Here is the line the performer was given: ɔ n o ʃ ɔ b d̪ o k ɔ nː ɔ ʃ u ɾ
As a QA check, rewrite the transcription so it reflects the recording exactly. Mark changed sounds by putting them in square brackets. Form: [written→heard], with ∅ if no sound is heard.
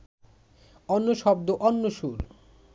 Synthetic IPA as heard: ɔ [n→nː] o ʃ ɔ b d̪ o [k→ʔ] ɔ nː [ɔ→o] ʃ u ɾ